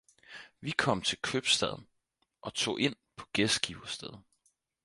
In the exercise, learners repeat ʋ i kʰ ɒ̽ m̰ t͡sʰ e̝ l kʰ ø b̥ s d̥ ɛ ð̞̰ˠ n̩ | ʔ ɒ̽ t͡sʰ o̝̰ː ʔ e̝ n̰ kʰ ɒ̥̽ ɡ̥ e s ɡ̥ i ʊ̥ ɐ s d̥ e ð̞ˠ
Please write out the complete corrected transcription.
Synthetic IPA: ʋ i kʰ ɒ̽ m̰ t͡sʰ e̝ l kʰ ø b̥ s d̥ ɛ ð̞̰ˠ n̩ | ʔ ɒ̽ t͡sʰ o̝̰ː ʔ e̝ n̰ pʰ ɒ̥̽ ɡ̥ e s ɡ̥ i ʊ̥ ɐ s d̥ e ð̞ˠ